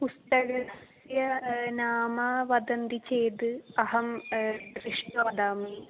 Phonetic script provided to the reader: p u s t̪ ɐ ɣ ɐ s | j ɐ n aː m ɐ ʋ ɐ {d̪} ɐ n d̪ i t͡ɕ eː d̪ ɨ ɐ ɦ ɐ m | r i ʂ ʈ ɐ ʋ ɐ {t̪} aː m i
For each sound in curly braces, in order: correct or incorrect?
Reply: correct, incorrect: d̪

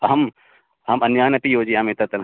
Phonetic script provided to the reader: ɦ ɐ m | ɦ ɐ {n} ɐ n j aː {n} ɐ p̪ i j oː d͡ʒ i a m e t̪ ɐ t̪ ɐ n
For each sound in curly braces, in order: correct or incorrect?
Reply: incorrect: m, correct

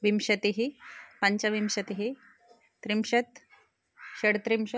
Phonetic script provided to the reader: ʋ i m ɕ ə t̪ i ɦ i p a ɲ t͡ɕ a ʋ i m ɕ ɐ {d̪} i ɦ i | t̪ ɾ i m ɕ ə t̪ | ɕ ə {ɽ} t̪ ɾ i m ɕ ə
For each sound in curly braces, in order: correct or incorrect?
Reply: incorrect: t̪, correct

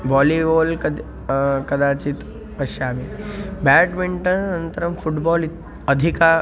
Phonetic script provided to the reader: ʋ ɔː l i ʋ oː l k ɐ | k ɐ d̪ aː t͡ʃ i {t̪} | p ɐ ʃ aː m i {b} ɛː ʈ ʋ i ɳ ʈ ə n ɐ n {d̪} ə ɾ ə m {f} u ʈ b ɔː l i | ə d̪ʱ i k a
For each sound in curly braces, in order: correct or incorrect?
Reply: correct, correct, incorrect: t̪, correct

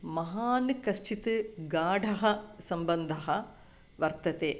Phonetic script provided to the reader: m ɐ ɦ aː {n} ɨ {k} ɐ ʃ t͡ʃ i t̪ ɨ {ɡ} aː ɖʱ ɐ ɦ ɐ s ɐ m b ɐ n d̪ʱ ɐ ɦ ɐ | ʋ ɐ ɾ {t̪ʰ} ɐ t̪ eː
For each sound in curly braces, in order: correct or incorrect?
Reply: correct, correct, correct, incorrect: t̪

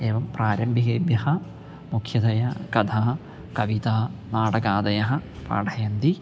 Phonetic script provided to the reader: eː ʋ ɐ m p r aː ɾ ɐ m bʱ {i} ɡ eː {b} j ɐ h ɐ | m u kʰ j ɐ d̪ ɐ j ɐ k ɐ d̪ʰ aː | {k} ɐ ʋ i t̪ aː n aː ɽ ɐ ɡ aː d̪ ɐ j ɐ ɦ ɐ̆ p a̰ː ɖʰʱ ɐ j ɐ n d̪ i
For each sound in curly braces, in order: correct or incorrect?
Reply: correct, correct, correct

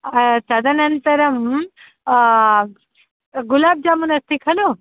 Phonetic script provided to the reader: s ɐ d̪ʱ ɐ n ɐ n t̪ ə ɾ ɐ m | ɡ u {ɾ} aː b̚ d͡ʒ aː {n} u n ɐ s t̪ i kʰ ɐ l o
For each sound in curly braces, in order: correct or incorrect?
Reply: incorrect: l, incorrect: m

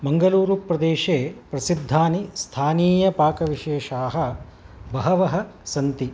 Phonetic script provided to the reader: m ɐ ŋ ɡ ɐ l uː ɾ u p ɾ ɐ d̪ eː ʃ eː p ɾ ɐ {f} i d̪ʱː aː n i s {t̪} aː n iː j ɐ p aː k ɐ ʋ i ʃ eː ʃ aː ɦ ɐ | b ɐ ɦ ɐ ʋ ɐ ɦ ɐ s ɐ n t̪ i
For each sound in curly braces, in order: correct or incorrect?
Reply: incorrect: s, incorrect: t̪ʰ

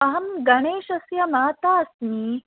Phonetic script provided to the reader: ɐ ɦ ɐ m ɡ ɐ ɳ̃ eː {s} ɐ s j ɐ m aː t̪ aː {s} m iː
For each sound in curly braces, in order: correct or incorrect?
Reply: incorrect: ʃ, correct

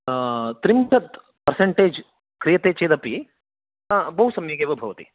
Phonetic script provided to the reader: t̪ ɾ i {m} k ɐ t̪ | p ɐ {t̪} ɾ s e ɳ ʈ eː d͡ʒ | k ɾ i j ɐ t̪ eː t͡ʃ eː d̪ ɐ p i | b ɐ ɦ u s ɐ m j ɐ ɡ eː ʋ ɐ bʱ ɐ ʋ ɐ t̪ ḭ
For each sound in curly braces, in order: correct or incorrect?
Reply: correct, incorrect: none

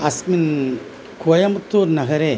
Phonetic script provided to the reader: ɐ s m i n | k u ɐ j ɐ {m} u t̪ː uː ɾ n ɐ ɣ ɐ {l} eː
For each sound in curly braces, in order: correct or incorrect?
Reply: correct, incorrect: ɾ

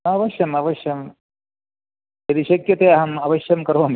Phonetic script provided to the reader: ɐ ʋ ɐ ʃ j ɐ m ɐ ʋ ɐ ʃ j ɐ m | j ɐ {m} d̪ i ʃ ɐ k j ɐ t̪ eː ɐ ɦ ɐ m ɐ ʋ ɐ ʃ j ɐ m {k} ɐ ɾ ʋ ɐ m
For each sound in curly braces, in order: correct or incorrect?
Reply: incorrect: none, correct

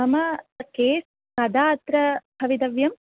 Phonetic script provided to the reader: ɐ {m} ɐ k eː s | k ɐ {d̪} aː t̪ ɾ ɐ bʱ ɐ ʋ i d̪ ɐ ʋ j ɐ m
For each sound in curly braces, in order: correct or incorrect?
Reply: correct, correct

